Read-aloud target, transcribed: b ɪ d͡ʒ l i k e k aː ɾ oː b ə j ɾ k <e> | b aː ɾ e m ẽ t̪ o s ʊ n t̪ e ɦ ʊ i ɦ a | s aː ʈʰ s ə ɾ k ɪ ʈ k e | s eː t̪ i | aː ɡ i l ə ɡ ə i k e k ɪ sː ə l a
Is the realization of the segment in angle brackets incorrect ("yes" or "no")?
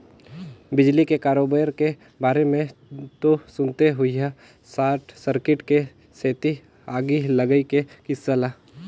no